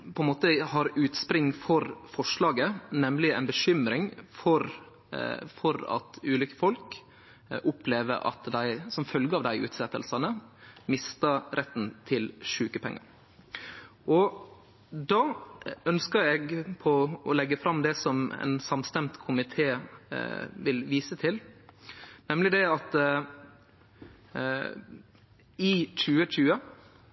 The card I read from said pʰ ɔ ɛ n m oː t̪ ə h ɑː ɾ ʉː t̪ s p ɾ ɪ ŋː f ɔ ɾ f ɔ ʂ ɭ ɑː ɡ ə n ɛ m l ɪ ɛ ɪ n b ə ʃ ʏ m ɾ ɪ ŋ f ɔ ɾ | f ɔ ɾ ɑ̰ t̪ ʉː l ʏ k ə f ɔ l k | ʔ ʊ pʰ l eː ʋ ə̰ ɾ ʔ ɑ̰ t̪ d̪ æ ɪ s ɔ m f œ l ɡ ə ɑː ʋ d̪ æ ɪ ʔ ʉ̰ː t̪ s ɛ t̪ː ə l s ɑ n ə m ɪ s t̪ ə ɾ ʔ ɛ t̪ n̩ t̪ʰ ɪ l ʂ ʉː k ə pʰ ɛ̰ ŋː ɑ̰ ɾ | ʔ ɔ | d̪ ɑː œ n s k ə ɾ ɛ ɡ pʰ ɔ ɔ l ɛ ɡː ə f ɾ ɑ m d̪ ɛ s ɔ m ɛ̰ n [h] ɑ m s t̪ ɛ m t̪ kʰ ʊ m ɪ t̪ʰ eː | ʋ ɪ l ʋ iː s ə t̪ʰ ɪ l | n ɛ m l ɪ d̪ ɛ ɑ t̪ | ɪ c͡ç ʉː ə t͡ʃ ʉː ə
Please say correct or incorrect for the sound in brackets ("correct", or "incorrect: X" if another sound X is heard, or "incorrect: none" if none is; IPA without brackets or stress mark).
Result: incorrect: s